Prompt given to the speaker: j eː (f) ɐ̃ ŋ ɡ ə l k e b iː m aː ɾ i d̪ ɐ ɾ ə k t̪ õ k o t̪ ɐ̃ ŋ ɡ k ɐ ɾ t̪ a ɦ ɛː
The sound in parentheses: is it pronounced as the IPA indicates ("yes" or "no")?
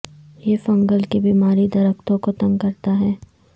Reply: yes